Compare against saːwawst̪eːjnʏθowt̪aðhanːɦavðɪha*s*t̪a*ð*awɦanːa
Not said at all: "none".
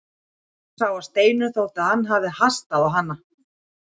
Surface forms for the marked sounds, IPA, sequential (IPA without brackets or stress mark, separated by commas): s, ð